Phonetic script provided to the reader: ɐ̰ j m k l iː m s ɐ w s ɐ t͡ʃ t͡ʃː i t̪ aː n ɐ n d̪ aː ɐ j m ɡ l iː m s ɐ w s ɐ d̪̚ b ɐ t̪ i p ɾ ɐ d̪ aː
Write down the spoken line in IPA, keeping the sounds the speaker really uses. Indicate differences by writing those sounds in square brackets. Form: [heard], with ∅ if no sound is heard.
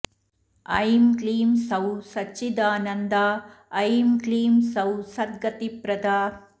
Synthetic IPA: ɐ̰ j m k l iː m s ɐ w s ɐ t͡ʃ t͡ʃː i [d̪] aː n ɐ n d̪ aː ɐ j m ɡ l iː m s ɐ w s ɐ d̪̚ [ɡ] ɐ t̪ i p ɾ ɐ d̪ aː